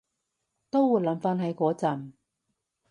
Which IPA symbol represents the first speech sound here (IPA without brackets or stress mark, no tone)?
t̪